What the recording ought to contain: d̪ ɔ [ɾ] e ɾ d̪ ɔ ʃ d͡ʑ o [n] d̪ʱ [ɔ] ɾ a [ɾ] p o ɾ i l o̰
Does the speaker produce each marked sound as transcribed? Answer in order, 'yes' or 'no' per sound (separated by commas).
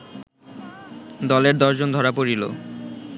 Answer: no, yes, yes, no